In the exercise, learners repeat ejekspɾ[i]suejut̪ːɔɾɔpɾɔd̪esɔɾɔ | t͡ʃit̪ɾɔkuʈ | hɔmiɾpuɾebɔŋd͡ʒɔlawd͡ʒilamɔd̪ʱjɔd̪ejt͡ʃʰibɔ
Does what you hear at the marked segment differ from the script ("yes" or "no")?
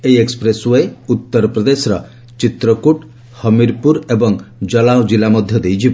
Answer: yes